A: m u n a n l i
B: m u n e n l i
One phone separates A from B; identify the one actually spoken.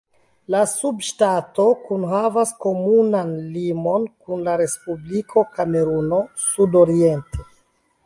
A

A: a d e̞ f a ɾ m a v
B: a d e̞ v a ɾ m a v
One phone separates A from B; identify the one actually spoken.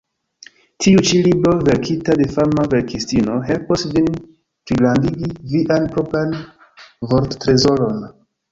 A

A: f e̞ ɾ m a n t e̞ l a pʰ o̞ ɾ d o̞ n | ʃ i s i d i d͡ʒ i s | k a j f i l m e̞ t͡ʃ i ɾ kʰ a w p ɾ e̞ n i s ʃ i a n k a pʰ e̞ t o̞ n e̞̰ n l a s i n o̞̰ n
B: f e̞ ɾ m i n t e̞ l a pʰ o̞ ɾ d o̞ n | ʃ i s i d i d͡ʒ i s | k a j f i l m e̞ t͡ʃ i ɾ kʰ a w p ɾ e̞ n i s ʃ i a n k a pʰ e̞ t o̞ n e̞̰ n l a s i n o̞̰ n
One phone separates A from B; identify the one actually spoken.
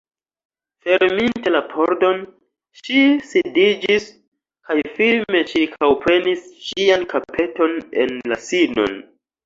B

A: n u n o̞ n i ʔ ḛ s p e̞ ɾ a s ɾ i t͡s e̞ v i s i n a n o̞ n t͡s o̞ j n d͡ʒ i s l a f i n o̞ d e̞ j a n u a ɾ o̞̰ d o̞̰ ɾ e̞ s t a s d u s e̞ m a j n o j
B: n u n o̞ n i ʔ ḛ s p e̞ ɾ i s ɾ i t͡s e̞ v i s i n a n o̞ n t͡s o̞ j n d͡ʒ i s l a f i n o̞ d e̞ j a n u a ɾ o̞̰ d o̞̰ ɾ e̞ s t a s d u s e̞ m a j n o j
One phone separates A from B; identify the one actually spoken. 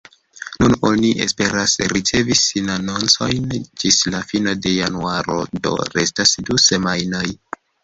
A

